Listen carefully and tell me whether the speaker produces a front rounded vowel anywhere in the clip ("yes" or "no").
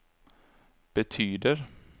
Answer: yes